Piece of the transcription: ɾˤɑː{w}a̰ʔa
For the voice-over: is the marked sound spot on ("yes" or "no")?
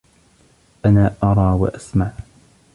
yes